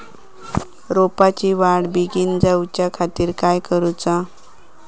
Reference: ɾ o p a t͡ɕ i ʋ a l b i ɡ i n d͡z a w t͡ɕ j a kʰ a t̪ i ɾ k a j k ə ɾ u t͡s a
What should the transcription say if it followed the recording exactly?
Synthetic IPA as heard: ɾ o p a t͡ɕ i ʋ a ɽ b i ɡ i n d͡z a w t͡ɕ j a kʰ a t̪ iː ɾ k a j k ə ɾ u t͡s a

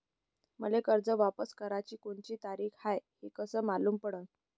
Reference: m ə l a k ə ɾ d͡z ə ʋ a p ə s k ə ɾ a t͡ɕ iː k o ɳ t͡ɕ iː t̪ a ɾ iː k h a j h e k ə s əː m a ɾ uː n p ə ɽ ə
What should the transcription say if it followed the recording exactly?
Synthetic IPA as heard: m ə l e k ə ɾ d͡z ə ʋ a p ə s k ə ɾ a t͡ɕ iː k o ɳ t͡ɕ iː t̪ a ɾ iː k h a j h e k ə s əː m a l uː m p ə ɽ ə

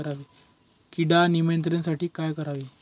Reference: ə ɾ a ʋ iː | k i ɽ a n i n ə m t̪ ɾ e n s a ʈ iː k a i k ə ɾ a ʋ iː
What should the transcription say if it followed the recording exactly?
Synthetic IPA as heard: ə ɾ a ʋ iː | k i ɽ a n i m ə n t̪ ɾ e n s a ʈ iː k a j k ə ɾ a ʋ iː

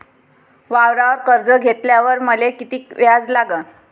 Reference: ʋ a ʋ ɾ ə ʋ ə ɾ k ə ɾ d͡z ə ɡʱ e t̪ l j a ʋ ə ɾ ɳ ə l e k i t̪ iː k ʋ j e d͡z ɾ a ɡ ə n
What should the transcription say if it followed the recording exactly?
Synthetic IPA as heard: ʋ a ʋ ɾ a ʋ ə ɾ k ə ɾ d͡z ə ɡʱ e t̪ l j a ʋ ə ɾ m ə l e k i t̪ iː k ʋ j a d͡z l a ɡ ə n

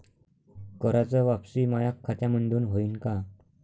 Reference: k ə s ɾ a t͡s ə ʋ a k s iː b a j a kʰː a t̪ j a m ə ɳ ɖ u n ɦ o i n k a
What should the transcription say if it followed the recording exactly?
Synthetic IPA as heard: k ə ɾ a t͡s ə ʋ a p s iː m a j a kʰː a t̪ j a m ə ɳ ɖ uː n ɦ o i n k a

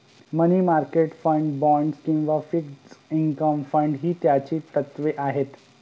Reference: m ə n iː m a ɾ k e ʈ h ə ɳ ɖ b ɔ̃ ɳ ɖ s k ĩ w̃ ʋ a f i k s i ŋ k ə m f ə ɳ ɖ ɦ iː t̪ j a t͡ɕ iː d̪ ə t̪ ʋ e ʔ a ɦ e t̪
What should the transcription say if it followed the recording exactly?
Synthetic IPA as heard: m ə n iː m a ɾ k e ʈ f ə ɳ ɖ b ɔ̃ ɳ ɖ s k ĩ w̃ ʋ a f i k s i ŋ k ə m f ə ɳ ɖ ɦ iː t̪ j a t͡ɕ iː t̪ ə t̪ ʋ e ʔ a ɦ e t̪

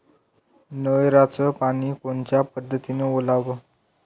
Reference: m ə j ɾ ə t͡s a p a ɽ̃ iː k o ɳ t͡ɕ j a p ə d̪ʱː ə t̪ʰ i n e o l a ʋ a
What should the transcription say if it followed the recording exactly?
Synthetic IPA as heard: n ə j ɾ a t͡s ə p a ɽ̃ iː k o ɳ t͡ɕ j a p ə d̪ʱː ə t̪ i n e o l a ʋ ə

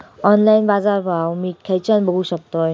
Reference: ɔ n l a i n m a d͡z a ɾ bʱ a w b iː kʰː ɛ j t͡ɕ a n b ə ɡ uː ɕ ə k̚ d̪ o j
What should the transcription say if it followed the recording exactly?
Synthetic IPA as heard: ɔ n l a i n b a d͡z a ɾ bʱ a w m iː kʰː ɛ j t͡ɕ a n b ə ɡ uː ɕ ə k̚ t̪ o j

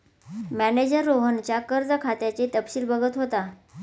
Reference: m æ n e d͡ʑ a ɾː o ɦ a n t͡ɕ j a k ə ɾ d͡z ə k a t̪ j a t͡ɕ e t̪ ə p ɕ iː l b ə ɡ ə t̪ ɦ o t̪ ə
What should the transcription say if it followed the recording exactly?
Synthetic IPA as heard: m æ n e d͡ʑ ə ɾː o ɦ ə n t͡ɕ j a k ə ɾ d͡z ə kʰ a t̪ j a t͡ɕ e t̪ ə p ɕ iː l b ə ɡ ə t̪ ɦ o t̪ a

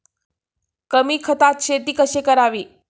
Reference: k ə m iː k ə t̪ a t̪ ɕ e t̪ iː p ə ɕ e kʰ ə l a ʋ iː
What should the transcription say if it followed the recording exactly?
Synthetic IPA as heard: k ə m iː kʰ ə t̪ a t̪ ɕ e t̪ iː k ə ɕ e k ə ɾ a ʋ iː

